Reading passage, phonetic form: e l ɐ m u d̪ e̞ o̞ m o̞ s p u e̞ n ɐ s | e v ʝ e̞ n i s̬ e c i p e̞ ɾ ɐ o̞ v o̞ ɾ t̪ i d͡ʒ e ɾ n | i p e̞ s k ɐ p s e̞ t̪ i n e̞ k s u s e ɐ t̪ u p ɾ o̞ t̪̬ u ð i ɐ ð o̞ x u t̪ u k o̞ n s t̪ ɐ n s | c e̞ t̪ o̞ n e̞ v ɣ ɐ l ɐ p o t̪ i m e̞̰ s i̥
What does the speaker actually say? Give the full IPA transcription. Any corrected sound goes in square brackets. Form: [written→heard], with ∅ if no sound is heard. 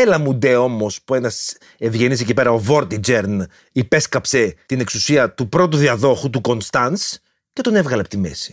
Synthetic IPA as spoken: e l ɐ m u d̪ e̞ o̞ m o̞ s p u e̞ n ɐ s | e v ʝ e̞ n i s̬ e c i p e̞ ɾ ɐ o̞ v o̞ ɾ t̪ i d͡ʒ e ɾ n | i p e̞ s k ɐ p s e̞ t̪ i n e̞ k s u s [e→i] ɐ t̪ u p ɾ o̞ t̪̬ u ð i ɐ ð o̞ x u t̪ u k o̞ n s t̪ ɐ n s | c e̞ t̪ o̞ n e̞ v ɣ ɐ l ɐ p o t̪ i m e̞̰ s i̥